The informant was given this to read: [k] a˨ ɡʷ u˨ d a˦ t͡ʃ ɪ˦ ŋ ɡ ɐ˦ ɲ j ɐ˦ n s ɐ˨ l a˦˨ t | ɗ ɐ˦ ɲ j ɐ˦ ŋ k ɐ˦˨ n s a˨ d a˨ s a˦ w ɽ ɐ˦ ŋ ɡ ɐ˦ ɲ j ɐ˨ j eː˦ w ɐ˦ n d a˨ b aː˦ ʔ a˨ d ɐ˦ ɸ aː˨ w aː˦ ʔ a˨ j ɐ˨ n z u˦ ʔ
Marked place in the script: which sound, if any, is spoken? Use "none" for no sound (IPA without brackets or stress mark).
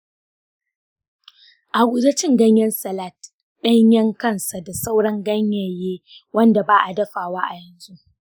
ʔ